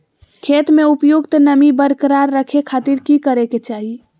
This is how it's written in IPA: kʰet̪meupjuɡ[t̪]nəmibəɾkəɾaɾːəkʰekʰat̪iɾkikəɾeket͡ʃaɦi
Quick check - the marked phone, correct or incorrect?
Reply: correct